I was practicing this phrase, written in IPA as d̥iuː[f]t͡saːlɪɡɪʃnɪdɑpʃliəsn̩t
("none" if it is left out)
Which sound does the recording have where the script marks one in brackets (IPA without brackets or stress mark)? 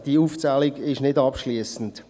f